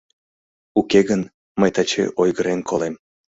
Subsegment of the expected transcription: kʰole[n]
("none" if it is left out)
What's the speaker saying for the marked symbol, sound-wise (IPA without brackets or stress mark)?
m